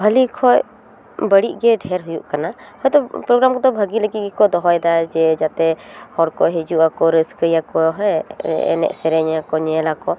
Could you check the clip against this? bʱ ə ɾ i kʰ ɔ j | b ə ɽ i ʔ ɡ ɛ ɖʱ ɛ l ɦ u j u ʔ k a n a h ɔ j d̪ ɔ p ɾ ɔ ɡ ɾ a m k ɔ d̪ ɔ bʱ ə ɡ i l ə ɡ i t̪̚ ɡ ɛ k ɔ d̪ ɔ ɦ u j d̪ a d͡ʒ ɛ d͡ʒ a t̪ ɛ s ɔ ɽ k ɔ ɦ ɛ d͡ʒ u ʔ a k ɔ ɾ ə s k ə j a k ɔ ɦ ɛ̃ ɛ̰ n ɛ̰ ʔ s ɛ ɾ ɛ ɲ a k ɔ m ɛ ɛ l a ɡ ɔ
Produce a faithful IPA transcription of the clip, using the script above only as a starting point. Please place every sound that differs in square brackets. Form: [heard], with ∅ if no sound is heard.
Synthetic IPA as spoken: bʱ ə [l] i kʰ ɔ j | b ə ɽ i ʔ ɡ ɛ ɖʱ ɛ [ɾ] ɦ u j u ʔ k a n a h ɔ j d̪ ɔ p ɾ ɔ ɡ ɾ a m k ɔ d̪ ɔ bʱ ə ɡ i l ə ɡ i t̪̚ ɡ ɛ k ɔ d̪ ɔ ɦ [ɔ] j d̪ a d͡ʒ ɛ d͡ʒ a t̪ ɛ [h] ɔ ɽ k ɔ ɦ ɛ d͡ʒ u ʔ a k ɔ ɾ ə s k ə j a k ɔ ɦ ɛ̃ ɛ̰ n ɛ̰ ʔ s ɛ ɾ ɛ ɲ a k ɔ [ɲ] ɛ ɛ l a [k] ɔ